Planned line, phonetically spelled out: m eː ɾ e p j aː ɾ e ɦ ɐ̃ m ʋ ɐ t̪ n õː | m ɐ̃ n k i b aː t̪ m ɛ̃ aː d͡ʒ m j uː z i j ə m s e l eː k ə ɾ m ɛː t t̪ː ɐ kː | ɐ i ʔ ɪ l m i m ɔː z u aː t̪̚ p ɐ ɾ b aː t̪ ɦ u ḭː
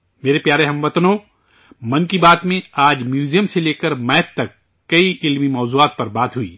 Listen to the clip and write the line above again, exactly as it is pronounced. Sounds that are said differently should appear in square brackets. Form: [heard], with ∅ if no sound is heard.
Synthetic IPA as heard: m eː ɾ e p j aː ɾ e ɦ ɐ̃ m ʋ ɐ t̪ n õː | m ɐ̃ n k i b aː t̪ m [ẽ] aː d͡ʒ m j uː z i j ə m s e l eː k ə ɾ m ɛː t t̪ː ɐ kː | ɐ i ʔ ɪ l m i m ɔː z u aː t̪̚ p ɐ ɾ b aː t̪ ɦ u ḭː